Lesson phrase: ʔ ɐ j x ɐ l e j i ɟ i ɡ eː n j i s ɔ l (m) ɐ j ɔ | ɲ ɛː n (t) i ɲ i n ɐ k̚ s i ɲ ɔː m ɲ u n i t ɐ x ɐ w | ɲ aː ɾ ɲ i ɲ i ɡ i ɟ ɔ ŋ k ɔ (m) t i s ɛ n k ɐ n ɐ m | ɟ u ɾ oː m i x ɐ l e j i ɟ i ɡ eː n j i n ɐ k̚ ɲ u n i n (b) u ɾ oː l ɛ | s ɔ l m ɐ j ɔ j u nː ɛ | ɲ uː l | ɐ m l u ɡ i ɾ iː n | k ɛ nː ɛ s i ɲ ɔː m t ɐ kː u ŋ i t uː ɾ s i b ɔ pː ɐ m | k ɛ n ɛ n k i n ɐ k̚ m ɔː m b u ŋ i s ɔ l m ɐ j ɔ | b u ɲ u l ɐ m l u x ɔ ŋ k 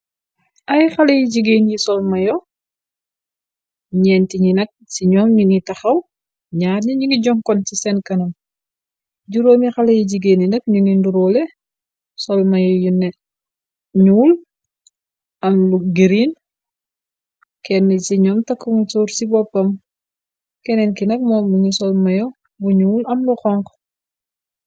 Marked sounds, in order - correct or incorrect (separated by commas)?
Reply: correct, correct, incorrect, incorrect